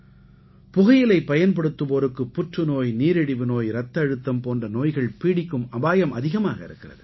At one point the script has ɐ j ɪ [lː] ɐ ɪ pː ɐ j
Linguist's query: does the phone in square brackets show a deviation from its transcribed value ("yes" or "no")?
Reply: yes